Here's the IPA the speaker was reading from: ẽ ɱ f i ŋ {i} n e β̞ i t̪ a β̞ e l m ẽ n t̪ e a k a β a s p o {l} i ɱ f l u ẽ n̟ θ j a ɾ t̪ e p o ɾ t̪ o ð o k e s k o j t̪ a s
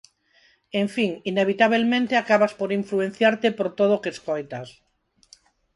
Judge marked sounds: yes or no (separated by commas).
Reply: yes, no